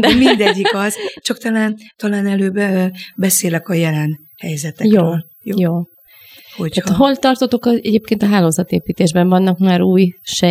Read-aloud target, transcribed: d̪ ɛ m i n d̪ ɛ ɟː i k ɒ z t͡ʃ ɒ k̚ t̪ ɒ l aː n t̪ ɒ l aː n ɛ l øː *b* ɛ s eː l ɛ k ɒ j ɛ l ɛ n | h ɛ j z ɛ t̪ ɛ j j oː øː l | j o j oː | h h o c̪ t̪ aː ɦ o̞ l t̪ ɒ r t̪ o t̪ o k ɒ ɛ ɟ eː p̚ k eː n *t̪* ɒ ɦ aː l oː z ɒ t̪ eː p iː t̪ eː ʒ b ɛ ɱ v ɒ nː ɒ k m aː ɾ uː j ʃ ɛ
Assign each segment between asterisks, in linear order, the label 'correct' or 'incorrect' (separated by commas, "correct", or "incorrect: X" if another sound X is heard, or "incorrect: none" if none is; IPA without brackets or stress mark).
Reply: correct, correct